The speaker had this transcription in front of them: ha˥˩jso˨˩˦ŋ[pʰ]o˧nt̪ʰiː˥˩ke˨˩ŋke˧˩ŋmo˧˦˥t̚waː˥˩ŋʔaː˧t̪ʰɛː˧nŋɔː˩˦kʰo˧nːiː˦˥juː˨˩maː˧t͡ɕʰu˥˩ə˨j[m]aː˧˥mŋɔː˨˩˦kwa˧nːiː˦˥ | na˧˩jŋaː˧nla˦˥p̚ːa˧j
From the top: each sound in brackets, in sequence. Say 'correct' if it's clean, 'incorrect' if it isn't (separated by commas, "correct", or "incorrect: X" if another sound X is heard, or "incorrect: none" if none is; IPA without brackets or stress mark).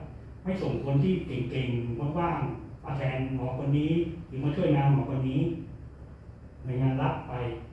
incorrect: kʰ, incorrect: n